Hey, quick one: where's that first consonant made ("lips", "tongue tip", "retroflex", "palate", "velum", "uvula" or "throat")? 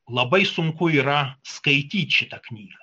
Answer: tongue tip